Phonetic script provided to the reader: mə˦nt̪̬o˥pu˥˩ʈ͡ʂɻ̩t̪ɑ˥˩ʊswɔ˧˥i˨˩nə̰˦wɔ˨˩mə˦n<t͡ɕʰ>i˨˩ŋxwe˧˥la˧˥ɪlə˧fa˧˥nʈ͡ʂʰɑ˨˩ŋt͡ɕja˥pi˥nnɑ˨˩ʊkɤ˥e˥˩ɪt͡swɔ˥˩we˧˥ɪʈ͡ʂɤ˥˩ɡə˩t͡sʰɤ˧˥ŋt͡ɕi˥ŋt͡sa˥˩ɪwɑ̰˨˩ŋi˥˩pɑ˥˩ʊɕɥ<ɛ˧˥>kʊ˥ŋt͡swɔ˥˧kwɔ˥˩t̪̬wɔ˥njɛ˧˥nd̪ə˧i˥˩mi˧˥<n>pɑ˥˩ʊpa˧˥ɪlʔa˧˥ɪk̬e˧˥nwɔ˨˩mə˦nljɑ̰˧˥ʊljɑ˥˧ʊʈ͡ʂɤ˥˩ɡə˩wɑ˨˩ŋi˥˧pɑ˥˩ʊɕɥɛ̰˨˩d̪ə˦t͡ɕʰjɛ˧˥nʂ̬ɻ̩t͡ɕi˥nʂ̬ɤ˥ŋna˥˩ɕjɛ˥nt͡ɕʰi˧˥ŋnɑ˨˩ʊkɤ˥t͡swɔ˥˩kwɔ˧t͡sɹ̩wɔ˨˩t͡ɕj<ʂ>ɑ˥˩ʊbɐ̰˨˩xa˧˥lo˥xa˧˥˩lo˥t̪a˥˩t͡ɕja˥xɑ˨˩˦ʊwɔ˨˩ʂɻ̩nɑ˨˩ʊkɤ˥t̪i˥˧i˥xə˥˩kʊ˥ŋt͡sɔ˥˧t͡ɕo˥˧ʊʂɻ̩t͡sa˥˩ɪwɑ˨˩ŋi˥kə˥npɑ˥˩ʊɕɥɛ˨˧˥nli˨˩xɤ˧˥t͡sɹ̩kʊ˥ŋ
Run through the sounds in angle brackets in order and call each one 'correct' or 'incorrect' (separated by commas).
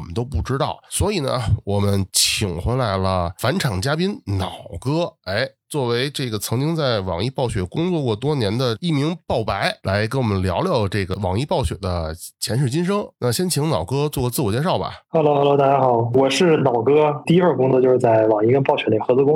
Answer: correct, incorrect, incorrect, correct